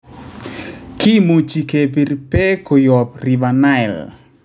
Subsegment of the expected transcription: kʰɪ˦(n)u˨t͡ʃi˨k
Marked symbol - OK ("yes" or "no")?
no